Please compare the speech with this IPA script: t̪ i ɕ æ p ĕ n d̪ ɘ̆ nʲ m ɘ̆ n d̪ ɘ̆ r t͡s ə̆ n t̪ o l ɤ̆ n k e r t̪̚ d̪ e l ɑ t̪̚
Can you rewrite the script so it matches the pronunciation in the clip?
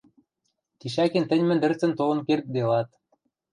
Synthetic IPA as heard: t̪ i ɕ æ k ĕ n t̪ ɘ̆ nʲ m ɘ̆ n d̪ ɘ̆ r t͡s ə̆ n t̪ o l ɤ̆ n k e r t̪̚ d̪ e l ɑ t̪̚